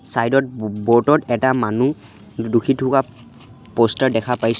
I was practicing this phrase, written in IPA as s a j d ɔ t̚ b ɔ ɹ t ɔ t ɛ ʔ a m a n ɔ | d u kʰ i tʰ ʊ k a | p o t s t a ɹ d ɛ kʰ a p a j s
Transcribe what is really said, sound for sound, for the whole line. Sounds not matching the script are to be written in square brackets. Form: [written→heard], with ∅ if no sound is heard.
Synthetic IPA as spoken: s a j d ɔ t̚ b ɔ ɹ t ɔ t ɛ [ʔ→t] a m a n [ɔ→u] | d u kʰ i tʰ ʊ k a | p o [t→∅] s t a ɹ d ɛ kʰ a p a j s